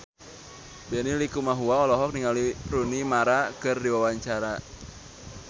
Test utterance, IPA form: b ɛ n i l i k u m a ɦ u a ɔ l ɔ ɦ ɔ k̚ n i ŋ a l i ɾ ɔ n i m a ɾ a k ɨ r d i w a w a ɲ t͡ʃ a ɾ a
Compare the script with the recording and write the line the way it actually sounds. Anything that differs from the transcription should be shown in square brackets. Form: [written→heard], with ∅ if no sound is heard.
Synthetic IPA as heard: b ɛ n i l i k u m a ɦ u a ɔ l ɔ ɦ ɔ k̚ n i ŋ a l i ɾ [ɔ→u] n i m a ɾ a k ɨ r d i w a w a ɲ t͡ʃ a ɾ a